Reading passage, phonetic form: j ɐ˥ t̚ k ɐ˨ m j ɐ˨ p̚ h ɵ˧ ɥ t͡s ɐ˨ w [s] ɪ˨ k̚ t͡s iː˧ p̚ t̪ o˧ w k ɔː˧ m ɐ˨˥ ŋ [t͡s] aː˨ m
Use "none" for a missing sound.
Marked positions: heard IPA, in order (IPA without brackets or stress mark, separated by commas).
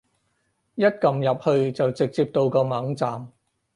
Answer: t͡s, t͡s